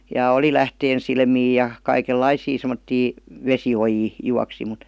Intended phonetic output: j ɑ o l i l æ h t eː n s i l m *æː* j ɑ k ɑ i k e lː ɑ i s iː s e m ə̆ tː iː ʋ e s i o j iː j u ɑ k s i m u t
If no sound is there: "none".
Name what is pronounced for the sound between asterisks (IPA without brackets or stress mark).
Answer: iː